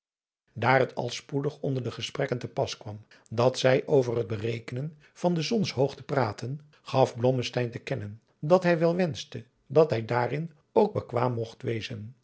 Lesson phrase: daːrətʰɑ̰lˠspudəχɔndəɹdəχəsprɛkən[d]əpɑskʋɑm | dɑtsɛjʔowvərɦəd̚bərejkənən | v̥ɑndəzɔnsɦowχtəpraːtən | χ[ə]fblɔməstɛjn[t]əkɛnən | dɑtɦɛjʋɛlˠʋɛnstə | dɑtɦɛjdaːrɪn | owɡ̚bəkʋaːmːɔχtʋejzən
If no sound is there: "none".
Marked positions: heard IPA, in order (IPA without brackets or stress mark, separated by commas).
t, ɑ, t